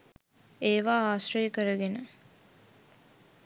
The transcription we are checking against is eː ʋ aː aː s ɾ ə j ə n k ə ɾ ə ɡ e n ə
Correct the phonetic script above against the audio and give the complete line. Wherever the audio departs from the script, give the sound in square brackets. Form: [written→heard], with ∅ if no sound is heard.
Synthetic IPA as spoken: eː ʋ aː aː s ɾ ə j ə [n→∅] k ə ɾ ə ɡ e n ə